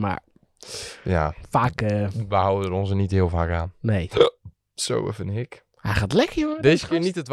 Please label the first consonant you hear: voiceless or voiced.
voiced